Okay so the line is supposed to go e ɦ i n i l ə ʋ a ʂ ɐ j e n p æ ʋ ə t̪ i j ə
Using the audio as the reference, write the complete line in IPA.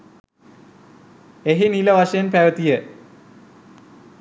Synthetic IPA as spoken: e ɦ i n i l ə ʋ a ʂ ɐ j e n p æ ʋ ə t̪ i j ə